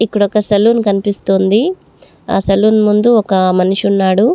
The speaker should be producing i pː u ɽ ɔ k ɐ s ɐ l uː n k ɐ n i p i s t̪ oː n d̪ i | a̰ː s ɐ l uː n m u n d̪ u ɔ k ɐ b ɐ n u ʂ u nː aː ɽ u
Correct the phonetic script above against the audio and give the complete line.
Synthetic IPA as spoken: i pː u ɽ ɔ k ɐ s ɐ l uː n k ɐ n i p i s t̪ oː n d̪ i | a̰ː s ɐ l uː n m u n d̪ u ɔ k ɐ m ɐ n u ʂ u nː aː ɽ u